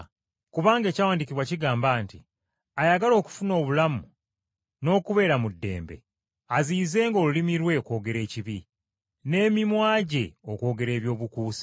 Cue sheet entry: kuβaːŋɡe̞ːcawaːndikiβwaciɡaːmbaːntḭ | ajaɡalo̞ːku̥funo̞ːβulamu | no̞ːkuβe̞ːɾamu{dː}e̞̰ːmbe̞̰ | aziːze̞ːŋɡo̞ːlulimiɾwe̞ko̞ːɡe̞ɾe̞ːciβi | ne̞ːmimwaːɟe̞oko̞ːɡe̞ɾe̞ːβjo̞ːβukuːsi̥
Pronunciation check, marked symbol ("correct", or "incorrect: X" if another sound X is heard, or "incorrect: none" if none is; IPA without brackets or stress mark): correct